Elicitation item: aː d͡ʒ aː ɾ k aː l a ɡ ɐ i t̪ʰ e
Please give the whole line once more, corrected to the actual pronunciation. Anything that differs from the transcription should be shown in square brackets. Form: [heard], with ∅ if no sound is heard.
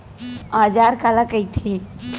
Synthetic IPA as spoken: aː d͡ʒ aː ɾ k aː l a [k] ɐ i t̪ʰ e